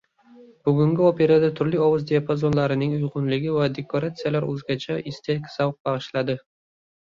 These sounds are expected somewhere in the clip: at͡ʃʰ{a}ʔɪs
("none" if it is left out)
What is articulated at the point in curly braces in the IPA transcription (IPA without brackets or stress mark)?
a